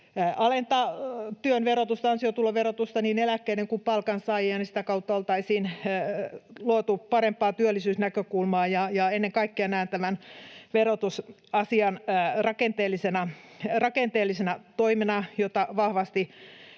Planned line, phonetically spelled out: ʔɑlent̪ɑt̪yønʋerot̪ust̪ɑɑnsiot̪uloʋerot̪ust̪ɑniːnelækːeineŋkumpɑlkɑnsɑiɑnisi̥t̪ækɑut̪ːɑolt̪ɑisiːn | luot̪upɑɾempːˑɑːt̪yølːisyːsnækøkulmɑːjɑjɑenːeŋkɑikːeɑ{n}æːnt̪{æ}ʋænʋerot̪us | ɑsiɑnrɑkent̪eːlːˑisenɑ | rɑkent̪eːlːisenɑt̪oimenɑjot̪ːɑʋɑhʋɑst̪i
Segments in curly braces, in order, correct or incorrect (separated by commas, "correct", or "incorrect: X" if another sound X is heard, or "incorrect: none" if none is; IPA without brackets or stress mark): correct, correct